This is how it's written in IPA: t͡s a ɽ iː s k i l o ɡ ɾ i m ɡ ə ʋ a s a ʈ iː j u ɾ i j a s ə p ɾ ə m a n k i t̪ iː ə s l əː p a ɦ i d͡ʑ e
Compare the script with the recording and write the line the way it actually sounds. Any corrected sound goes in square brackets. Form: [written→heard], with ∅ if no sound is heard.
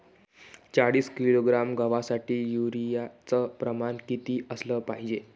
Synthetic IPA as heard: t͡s a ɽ iː s k i l o ɡ ɾ [i→a] m ɡ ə ʋ a s a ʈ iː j u ɾ i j a [s→t͡s] ə p ɾ ə m a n k i t̪ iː ə s l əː p a ɦ i d͡ʑ e